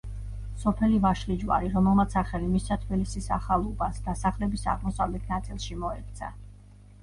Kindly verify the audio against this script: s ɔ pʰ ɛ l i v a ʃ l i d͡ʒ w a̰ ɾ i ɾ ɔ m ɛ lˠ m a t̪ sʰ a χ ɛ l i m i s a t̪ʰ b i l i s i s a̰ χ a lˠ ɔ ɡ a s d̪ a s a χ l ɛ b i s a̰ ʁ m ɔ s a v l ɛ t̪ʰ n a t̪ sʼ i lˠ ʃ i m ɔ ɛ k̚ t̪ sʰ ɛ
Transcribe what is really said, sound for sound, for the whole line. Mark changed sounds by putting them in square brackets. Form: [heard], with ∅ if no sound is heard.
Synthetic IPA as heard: s ɔ pʰ ɛ l i v a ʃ l i d͡ʒ w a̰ ɾ i ɾ ɔ m ɛ lˠ m a t̪ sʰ a χ ɛ l i m i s a t̪ʰ b i l i s i s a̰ χ a lˠ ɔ [b] a s d̪ a s a χ l ɛ b i s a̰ ʁ m ɔ s a v l ɛ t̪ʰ n a t̪ sʼ i lˠ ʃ i m ɔ ɛ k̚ t̪ sʰ [a]